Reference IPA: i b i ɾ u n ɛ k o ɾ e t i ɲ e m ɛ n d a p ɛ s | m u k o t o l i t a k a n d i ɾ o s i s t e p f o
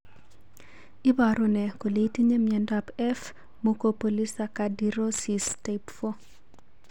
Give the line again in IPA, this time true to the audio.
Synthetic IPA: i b a ɾ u n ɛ k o l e t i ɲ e m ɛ n d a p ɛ f | m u k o p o l i s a k a d i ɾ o s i s t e p f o